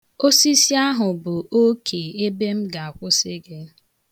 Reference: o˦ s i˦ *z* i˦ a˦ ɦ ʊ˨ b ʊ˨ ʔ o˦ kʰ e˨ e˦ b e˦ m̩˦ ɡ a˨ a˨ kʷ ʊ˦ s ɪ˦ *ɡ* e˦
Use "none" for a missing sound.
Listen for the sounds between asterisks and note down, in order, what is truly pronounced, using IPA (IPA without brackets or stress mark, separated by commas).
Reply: s, ɡ